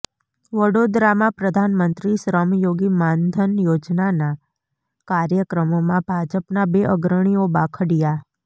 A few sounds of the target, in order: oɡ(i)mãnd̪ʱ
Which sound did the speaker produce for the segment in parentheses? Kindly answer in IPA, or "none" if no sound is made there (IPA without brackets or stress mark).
i